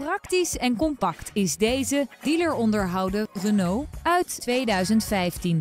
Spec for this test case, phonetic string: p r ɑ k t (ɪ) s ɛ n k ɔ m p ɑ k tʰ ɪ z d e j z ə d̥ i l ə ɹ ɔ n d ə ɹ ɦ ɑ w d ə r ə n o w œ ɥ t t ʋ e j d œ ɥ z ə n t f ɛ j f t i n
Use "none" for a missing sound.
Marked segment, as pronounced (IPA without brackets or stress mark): i